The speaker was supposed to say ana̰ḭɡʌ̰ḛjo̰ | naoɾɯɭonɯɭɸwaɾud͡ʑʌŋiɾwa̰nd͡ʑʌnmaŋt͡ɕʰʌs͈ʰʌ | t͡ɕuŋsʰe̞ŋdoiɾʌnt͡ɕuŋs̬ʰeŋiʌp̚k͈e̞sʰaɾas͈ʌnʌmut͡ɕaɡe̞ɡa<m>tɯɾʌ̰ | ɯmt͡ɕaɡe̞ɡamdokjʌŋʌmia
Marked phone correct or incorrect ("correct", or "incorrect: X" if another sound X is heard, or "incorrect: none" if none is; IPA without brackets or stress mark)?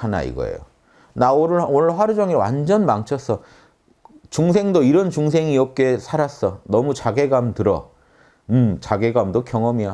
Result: correct